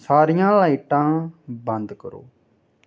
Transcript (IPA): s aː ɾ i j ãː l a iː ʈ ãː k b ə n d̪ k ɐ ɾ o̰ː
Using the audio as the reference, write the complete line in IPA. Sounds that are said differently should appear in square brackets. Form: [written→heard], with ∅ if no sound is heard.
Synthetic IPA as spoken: s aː ɾ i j ãː l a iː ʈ ãː [k→∅] b ə n d̪ k [ɐ→ə] ɾ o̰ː